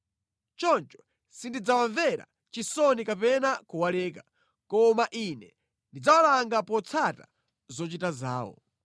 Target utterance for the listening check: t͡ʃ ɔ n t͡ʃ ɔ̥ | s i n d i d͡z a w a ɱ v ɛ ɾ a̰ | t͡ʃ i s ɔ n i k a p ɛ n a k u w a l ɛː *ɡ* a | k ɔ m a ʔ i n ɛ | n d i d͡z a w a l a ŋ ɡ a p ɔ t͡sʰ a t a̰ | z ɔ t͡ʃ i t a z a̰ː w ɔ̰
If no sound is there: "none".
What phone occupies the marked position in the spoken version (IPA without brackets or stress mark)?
k